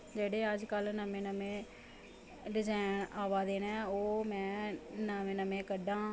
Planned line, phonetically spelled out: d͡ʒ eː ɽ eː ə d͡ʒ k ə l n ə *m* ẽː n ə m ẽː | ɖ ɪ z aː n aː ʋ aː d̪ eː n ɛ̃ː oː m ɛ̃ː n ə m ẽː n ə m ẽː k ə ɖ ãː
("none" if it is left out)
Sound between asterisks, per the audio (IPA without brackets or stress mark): m